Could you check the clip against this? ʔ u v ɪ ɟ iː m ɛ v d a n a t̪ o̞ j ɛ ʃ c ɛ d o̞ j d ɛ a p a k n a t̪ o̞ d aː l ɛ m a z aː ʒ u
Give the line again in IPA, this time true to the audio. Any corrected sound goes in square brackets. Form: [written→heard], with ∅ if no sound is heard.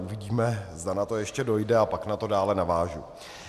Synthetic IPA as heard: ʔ u v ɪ ɟ iː m ɛ [v→z] d a n a t̪ o̞ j ɛ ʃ c ɛ d o̞ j d ɛ a p a k n a t̪ o̞ d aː l ɛ [m→n] a [z→v] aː ʒ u